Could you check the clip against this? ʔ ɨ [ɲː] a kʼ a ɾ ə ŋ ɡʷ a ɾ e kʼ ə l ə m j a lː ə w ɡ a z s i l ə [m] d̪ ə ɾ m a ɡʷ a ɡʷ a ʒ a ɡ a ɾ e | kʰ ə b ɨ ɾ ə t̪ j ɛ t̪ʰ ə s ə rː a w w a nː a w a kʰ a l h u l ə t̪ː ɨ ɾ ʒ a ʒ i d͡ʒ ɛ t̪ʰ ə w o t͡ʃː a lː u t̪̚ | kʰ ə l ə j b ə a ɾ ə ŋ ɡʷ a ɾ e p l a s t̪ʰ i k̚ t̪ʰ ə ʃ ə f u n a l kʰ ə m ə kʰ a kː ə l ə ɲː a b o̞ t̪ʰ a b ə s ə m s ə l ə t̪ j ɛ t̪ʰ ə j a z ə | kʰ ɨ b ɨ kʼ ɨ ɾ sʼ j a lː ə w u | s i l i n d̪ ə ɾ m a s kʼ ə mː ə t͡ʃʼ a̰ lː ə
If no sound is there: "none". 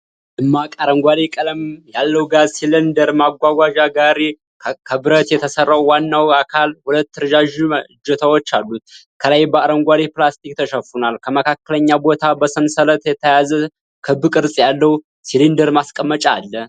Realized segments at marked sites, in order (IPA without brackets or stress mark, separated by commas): mː, n